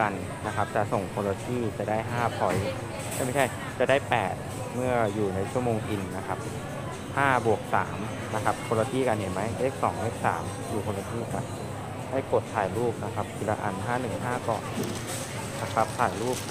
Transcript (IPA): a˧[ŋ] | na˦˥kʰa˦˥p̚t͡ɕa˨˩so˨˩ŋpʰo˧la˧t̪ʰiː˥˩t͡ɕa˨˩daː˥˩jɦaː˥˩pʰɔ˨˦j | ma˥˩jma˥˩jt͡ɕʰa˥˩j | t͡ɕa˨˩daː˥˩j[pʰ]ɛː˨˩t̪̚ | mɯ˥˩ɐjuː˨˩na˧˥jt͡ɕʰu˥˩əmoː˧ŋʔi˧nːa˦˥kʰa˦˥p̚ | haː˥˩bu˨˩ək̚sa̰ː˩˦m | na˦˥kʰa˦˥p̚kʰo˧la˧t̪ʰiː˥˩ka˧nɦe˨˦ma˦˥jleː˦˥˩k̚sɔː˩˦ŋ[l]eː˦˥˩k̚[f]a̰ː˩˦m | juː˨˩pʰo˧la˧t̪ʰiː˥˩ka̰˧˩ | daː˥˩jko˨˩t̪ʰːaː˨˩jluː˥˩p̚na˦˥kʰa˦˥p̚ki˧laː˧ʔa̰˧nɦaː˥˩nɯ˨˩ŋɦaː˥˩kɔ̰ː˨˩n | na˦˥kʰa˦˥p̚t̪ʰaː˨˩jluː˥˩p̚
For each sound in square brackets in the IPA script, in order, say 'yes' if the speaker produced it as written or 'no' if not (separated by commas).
no, no, yes, no